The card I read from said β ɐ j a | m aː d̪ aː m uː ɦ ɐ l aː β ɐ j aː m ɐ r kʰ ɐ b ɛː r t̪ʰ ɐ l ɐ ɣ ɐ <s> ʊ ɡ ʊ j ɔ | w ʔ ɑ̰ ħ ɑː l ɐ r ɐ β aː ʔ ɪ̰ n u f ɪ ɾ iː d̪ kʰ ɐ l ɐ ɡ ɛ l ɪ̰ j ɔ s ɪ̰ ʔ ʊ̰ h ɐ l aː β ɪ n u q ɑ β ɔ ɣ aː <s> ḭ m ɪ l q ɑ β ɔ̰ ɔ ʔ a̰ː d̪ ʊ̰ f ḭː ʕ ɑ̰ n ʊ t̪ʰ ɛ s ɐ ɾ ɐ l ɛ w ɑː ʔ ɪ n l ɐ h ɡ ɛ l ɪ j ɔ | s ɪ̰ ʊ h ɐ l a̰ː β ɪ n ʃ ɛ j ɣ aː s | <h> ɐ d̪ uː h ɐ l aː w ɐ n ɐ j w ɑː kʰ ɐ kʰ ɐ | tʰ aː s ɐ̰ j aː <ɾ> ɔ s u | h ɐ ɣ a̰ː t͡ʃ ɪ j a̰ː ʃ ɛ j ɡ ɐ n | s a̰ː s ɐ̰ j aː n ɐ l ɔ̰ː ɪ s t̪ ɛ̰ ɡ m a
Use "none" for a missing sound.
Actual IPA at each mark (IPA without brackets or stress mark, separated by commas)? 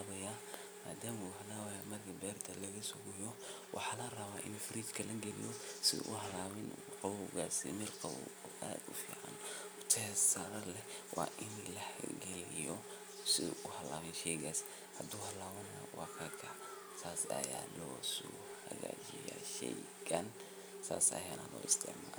s, s, h, l